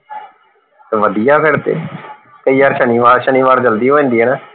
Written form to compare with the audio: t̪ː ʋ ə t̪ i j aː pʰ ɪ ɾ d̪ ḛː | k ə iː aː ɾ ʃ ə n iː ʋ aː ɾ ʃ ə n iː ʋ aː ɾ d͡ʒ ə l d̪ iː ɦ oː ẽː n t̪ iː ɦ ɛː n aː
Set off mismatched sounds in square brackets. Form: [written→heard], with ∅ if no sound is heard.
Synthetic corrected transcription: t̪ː ʋ ə [t̪→d̪] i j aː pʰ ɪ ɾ [d̪→t̪] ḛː | k ə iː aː ɾ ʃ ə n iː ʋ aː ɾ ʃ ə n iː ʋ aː ɾ d͡ʒ ə l d̪ iː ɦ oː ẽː n [t̪→d̪] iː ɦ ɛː n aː